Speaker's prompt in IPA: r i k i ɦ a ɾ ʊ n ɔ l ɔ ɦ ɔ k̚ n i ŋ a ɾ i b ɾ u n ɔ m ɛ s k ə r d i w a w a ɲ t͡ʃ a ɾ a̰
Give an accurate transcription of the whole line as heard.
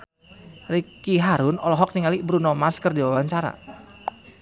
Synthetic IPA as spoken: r i k i ɦ a ɾ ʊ n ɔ l ɔ ɦ ɔ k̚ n i ŋ a l i b ɾ u n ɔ m a s k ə r d i w a w a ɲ t͡ʃ a ɾ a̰